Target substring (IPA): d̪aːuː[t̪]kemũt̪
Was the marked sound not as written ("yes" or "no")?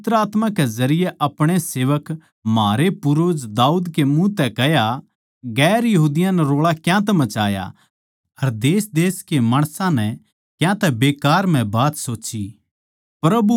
yes